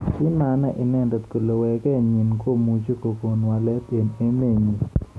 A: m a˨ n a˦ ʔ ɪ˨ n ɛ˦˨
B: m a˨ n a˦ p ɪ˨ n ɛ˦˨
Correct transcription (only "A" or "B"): A